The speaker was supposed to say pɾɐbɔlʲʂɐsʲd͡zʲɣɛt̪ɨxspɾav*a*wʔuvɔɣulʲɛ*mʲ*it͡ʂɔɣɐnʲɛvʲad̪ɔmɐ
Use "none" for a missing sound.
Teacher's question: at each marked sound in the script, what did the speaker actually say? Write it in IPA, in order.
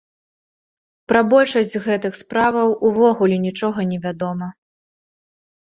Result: ɐ, nʲ

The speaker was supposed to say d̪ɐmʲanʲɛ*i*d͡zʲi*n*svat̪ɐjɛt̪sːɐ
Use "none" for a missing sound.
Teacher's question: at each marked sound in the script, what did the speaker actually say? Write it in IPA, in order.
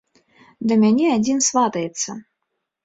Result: a, n

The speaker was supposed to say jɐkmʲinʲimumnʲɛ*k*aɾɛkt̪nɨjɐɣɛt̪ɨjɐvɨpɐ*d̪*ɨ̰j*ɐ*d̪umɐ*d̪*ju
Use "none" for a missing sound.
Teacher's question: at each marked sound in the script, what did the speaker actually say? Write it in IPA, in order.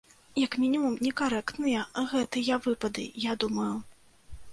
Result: k, d̪, a, none

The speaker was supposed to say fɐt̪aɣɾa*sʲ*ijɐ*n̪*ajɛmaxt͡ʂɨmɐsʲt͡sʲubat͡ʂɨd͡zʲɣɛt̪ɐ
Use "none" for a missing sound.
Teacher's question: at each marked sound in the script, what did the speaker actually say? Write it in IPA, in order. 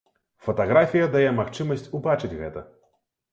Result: fʲ, d̪

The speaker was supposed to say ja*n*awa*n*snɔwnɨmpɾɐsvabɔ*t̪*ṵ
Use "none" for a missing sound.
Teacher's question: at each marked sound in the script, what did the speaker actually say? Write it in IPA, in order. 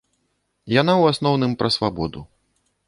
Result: n, none, d̪

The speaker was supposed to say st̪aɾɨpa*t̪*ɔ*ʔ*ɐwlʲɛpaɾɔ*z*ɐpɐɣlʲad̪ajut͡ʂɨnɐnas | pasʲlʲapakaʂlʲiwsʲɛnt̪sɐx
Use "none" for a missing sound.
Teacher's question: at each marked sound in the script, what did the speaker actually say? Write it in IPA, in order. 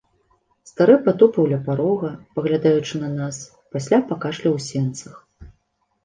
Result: t̪, p, ɣ

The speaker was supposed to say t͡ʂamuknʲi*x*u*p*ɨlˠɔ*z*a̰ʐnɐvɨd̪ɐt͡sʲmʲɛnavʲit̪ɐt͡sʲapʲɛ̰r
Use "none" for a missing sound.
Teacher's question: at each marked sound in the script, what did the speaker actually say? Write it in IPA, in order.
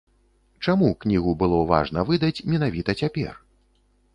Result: ɣ, b, v

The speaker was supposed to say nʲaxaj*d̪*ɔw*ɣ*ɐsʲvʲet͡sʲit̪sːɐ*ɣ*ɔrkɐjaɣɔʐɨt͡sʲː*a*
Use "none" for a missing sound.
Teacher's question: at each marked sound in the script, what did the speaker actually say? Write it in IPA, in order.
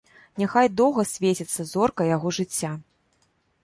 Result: d̪, ɣ, z, a

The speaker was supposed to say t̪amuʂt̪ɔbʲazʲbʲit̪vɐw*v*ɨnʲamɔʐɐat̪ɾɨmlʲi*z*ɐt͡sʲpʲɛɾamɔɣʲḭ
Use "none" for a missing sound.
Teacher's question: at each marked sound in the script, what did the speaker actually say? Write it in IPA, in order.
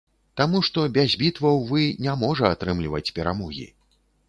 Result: v, v

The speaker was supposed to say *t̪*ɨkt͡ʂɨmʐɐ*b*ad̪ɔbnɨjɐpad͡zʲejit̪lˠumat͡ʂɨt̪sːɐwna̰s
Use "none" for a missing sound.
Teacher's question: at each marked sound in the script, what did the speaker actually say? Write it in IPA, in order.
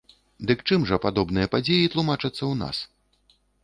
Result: d̪, p

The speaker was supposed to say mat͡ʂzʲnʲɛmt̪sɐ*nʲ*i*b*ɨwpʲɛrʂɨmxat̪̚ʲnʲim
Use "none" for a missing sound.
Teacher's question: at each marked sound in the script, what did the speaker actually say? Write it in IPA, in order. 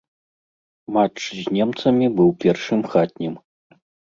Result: mʲ, b

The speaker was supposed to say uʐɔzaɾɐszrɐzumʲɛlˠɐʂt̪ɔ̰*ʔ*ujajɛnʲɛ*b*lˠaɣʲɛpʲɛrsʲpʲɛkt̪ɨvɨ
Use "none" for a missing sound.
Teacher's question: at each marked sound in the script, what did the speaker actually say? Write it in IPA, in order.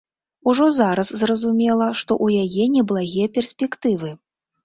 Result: ʔ, b

